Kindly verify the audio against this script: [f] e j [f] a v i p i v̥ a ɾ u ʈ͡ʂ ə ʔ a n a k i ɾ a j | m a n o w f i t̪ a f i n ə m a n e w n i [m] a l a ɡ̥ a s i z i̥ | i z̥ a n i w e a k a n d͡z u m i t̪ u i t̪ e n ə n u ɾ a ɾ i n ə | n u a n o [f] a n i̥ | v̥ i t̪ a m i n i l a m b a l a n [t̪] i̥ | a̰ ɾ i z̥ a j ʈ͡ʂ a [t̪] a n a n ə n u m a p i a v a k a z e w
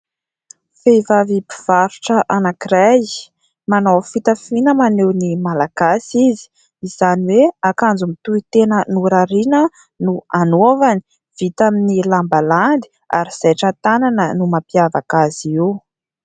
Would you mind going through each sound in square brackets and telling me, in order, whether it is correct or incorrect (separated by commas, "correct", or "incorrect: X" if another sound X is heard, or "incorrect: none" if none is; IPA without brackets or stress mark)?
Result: correct, incorrect: v, correct, incorrect: v, incorrect: d̪, correct